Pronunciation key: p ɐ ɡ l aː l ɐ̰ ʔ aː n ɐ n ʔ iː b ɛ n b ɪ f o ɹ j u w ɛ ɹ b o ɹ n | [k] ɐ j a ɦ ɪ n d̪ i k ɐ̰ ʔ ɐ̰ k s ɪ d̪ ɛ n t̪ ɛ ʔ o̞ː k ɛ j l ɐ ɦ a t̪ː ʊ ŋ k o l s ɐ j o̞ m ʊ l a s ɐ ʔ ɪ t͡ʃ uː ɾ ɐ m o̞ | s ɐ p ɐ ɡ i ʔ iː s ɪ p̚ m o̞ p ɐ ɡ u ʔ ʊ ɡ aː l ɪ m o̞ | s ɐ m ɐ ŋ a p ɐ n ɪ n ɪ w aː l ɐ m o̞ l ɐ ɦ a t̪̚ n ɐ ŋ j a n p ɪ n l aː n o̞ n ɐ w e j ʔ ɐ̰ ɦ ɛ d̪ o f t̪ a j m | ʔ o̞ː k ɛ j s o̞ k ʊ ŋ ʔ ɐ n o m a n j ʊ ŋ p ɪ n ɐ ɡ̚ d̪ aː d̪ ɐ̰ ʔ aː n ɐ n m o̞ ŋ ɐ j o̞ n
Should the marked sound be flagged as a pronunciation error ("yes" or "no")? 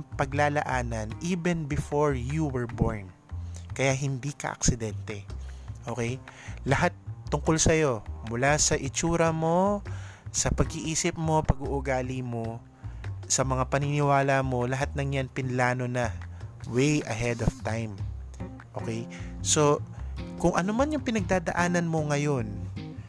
no